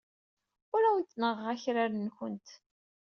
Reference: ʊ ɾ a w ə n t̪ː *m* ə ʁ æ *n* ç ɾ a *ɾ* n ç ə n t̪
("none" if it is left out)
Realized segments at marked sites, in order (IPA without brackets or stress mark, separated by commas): n, none, ɾ